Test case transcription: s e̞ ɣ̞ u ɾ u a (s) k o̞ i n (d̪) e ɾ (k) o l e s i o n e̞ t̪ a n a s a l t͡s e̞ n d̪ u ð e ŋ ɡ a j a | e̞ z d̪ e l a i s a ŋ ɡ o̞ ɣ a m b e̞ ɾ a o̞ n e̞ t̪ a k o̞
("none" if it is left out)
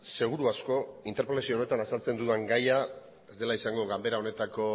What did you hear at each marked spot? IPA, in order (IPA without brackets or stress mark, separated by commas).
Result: s, t̪, p